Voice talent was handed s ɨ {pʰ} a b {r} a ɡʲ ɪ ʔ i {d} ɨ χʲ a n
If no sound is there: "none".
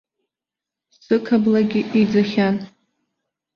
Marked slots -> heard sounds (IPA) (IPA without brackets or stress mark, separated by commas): kʰ, l, d͡z